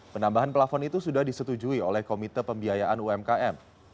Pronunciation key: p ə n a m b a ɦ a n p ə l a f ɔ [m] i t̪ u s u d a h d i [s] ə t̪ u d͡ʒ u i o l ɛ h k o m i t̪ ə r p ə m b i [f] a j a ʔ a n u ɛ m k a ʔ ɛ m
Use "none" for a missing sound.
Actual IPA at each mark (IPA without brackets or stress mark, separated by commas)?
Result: n, s, none